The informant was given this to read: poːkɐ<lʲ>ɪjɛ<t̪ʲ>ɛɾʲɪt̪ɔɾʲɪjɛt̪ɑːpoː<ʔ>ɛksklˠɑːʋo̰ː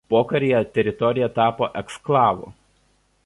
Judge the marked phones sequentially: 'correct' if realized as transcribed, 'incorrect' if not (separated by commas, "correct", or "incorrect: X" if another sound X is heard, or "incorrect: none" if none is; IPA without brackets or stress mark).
incorrect: ɾʲ, correct, correct